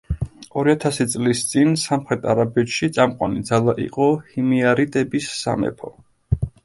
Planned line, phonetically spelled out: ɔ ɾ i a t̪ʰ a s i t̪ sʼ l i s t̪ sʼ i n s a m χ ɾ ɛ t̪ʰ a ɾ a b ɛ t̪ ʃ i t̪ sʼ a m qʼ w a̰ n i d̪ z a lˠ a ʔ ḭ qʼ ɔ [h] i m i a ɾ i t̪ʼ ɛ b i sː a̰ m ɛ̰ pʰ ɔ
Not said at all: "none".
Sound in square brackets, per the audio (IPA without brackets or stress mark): h